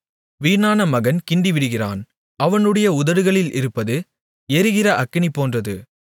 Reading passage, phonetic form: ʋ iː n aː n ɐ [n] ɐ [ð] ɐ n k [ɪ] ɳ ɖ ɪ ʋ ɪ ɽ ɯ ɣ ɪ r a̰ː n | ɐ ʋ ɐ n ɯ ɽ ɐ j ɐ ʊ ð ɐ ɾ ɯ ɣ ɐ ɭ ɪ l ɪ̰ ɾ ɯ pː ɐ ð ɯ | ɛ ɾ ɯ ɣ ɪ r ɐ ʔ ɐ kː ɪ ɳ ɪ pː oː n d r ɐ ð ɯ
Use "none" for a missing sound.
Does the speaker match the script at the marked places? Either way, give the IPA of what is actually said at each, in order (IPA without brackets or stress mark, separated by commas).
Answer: m, ɣ, ɪ